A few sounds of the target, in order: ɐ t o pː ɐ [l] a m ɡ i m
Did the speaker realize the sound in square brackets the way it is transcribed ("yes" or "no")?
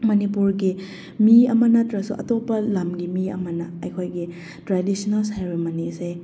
yes